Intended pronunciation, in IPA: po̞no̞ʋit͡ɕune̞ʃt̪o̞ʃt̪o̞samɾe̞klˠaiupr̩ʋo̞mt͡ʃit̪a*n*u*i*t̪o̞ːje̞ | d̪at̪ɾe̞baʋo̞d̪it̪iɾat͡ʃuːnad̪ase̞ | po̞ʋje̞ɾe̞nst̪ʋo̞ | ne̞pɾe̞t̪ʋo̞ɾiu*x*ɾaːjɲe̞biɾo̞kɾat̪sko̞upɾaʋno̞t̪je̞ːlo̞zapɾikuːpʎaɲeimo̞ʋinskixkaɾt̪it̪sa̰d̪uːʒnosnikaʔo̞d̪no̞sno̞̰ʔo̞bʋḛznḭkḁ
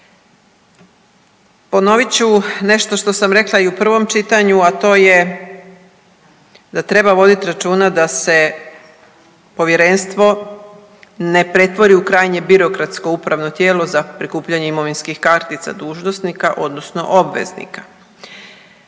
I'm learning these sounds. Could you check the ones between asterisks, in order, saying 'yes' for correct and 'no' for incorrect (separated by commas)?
no, no, no